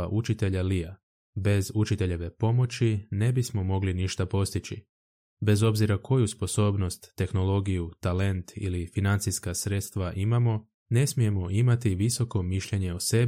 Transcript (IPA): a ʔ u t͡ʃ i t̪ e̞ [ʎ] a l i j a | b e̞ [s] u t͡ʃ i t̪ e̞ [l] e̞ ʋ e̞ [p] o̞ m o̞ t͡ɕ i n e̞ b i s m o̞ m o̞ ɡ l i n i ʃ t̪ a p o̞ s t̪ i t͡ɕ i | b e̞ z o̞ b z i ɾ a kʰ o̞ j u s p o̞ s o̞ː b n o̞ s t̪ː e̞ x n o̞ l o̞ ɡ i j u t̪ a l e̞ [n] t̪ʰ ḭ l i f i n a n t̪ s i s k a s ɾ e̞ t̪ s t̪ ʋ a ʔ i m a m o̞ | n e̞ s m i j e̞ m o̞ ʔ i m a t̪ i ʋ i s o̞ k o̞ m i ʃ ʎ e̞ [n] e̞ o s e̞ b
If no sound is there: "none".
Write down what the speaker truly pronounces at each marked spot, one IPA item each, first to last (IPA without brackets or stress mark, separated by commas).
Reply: ʎ, z, ʎ, p, n, ɲ